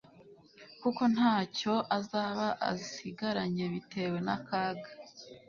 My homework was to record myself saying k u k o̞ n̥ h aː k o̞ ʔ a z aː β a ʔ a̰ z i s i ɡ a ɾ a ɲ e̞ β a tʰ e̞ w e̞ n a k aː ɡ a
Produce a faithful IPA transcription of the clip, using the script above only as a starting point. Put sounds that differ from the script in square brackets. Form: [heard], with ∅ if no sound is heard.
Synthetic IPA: k u k o̞ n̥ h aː [c] o̞ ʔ a z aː β a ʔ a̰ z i s i ɡ a ɾ a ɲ e̞ β [i] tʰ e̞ w e̞ n a k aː ɡ a